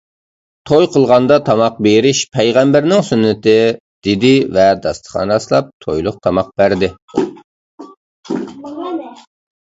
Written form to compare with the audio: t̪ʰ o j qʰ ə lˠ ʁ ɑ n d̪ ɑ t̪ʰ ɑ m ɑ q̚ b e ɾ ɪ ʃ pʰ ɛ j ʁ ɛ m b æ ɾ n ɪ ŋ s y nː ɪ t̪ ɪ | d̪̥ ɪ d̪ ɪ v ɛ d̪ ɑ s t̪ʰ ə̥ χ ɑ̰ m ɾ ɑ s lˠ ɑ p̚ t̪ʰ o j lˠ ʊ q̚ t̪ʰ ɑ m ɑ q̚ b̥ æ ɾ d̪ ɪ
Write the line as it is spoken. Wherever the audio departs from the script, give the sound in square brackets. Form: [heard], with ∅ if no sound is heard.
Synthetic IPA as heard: t̪ʰ o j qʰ ə lˠ ʁ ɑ n d̪ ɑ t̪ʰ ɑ m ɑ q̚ b e ɾ ɪ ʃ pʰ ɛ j ʁ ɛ m b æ ɾ n ɪ ŋ s y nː ɪ t̪ ɪ | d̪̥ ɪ d̪ ɪ v ɛ d̪ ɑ s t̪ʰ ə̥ χ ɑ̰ [n] ɾ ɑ s lˠ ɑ p̚ t̪ʰ o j lˠ ʊ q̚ t̪ʰ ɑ m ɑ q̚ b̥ æ ɾ d̪ ɪ